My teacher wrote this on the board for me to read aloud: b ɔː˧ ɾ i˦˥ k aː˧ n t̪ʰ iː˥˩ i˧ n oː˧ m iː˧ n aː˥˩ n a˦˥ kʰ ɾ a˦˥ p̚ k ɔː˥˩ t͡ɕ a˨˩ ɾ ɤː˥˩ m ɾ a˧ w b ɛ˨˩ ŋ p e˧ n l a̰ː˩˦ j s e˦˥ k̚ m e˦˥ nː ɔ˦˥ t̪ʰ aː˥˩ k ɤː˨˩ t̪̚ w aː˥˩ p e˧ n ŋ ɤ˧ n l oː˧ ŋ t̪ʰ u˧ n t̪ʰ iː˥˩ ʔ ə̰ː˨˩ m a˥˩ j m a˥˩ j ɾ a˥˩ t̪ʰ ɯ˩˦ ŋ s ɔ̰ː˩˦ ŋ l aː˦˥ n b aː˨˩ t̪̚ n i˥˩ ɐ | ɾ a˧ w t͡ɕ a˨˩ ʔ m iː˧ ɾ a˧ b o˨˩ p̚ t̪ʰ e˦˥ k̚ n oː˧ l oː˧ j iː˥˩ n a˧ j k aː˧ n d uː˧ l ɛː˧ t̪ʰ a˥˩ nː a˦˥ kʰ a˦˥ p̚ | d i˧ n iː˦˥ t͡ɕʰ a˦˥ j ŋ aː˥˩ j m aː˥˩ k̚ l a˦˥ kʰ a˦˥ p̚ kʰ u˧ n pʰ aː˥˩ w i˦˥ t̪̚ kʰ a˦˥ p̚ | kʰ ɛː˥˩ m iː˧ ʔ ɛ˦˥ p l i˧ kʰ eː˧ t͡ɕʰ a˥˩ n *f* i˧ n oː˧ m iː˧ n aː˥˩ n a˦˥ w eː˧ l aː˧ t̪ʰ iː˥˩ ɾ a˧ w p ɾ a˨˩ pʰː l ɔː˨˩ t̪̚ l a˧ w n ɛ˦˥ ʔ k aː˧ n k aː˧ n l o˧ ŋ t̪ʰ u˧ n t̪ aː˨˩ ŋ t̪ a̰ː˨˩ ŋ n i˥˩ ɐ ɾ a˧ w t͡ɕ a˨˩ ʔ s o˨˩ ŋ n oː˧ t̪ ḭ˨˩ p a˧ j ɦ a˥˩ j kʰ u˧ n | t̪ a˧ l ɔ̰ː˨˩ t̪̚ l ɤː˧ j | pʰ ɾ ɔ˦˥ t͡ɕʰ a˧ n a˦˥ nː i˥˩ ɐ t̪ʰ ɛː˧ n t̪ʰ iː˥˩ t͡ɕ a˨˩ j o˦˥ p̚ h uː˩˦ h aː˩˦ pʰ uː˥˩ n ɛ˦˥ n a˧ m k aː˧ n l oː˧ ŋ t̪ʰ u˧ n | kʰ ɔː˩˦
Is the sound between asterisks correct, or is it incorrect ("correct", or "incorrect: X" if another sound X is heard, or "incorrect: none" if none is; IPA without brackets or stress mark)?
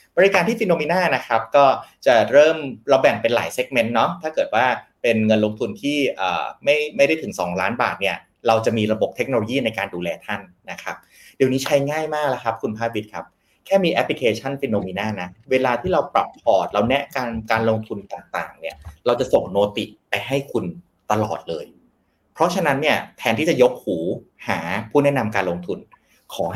correct